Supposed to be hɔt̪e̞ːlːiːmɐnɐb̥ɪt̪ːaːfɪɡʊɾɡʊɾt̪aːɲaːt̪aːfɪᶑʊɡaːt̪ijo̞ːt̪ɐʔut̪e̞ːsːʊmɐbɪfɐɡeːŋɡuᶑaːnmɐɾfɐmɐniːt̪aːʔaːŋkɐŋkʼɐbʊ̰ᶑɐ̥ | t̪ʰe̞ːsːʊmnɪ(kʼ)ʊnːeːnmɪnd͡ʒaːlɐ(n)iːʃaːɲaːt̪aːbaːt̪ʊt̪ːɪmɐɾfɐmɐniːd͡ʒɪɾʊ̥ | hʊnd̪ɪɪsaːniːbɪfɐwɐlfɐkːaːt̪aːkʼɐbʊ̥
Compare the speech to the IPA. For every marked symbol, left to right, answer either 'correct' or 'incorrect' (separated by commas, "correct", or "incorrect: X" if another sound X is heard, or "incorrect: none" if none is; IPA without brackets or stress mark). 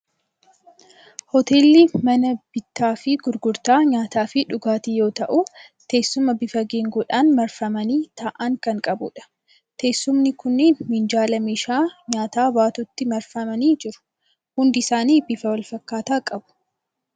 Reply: incorrect: k, incorrect: m